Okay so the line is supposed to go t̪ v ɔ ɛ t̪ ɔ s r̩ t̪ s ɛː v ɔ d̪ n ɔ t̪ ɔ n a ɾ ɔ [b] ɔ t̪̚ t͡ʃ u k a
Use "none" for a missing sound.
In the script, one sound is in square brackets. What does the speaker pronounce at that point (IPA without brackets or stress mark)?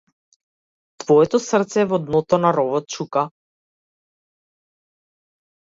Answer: v